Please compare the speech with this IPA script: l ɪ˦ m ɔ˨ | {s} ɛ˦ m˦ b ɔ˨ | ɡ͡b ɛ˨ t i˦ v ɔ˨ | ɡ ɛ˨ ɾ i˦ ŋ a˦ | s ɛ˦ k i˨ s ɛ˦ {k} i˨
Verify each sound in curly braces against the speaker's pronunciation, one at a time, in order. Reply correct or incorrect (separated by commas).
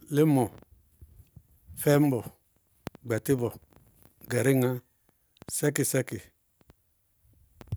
incorrect, correct